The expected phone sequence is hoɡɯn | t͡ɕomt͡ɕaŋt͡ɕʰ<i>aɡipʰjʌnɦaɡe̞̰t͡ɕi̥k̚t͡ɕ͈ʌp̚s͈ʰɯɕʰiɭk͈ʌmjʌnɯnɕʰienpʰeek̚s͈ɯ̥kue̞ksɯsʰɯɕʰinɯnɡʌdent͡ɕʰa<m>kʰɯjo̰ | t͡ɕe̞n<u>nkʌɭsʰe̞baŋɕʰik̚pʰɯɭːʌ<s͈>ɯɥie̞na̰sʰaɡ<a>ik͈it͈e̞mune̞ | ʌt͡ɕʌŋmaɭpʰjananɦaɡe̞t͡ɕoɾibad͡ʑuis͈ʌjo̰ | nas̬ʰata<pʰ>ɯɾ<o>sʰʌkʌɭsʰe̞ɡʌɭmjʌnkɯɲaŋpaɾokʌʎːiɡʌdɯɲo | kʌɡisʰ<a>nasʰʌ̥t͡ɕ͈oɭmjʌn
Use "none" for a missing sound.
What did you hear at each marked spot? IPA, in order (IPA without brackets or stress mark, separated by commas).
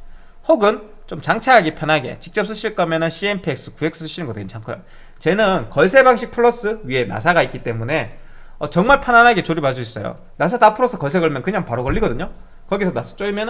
a, ŋ, ɯ, s͈, a, pʰ, o, ʌ